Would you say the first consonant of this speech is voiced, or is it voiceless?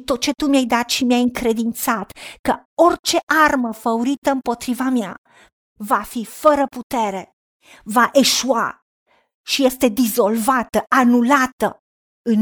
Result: voiceless